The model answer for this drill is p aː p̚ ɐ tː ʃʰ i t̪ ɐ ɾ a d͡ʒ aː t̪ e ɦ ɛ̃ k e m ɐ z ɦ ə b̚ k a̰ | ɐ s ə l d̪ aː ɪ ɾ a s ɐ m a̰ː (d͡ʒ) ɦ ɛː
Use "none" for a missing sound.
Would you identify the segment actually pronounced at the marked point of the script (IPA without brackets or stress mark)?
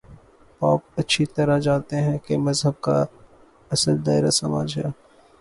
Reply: d͡ʒ